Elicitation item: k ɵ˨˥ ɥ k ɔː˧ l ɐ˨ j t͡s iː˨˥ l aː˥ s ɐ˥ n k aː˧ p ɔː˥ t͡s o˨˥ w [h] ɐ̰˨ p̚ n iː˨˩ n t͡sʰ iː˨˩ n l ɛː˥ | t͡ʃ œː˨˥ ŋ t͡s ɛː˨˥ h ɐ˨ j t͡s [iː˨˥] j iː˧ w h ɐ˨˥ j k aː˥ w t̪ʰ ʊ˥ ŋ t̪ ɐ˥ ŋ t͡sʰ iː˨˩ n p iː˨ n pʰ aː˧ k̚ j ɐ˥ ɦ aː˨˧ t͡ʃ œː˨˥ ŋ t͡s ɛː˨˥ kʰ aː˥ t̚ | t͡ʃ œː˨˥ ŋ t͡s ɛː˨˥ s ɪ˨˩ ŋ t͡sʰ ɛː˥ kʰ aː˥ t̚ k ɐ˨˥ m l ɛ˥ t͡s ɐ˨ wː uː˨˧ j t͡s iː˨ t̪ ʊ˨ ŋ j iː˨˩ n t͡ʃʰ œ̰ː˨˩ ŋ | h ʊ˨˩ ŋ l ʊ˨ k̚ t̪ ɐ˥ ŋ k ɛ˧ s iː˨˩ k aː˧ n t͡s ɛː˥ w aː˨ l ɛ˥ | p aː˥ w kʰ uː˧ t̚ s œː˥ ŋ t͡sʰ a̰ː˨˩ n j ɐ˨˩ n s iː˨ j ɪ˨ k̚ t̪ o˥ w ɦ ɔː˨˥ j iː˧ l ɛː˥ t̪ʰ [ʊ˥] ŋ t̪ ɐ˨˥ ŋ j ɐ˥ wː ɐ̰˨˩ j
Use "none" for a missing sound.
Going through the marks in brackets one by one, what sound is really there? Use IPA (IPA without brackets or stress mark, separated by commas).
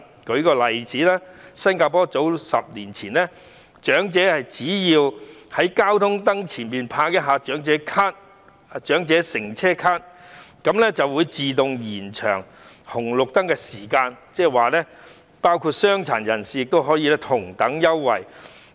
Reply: s, iː˨˥, ʊ˨˩